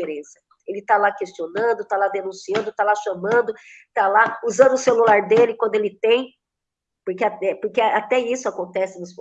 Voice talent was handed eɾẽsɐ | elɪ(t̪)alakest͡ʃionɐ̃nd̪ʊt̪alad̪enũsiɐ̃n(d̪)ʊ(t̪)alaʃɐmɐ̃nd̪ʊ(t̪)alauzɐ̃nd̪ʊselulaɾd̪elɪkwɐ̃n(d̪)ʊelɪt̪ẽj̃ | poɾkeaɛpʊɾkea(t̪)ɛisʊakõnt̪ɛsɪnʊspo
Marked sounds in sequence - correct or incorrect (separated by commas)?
correct, correct, correct, correct, correct, correct